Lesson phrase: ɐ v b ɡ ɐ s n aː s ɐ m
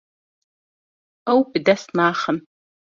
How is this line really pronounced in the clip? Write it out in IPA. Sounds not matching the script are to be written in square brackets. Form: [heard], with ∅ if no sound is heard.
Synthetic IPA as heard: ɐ [w] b [d] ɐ s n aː [χ] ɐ m